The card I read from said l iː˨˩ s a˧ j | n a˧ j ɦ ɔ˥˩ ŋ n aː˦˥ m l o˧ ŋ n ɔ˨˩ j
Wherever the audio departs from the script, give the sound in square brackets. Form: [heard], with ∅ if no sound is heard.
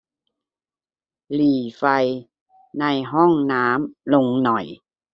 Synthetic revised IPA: l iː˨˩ [f] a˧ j | n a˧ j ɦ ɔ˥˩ ŋ n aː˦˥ m l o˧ ŋ n ɔ˨˩ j

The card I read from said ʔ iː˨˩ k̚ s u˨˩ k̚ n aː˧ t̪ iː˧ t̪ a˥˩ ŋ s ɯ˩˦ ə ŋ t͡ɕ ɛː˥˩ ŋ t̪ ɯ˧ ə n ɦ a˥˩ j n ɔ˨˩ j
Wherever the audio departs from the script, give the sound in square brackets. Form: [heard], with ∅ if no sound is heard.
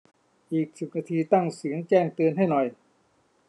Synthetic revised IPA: ʔ iː˨˩ k̚ s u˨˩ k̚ n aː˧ [t̪ʰ] iː˧ t̪ a˥˩ ŋ s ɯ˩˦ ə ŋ t͡ɕ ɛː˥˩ ŋ t̪ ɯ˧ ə n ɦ a˥˩ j n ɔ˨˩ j

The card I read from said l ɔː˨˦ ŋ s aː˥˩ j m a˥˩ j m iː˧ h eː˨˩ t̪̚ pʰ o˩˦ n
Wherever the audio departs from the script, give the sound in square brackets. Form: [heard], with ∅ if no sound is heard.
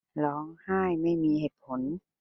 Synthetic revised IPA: l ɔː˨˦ ŋ [h] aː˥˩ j m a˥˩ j m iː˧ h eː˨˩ t̪̚ pʰ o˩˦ n

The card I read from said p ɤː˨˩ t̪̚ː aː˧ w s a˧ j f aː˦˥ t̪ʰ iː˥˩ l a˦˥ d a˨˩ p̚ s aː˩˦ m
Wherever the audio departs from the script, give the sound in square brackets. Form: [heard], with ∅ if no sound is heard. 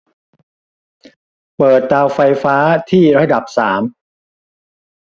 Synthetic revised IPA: p ɤː˨˩ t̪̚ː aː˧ w [f] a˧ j f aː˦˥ t̪ʰ iː˥˩ [ɾ] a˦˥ d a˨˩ p̚ s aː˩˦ m

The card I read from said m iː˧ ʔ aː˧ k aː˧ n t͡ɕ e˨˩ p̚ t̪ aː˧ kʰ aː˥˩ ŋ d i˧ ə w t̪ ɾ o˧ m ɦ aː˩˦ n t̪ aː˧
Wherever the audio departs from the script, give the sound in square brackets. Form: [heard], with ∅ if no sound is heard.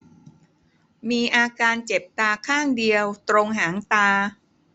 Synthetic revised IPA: m iː˧ ʔ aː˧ k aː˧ n t͡ɕ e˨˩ p̚ t̪ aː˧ kʰ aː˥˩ ŋ d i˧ ə w t̪ ɾ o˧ [ŋ] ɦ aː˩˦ [ŋ] t̪ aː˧

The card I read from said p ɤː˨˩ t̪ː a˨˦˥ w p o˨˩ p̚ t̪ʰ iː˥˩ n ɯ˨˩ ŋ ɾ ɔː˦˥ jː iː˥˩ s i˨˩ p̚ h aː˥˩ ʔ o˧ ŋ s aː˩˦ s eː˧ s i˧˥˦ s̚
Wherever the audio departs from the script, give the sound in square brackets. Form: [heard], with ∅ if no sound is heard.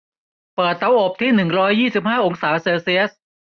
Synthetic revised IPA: p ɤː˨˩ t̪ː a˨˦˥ w [ʔ] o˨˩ p̚ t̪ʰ iː˥˩ n ɯ˨˩ ŋ ɾ ɔː˦˥ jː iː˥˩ s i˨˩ p̚ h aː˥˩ ʔ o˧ ŋ s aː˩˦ s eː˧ s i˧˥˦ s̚

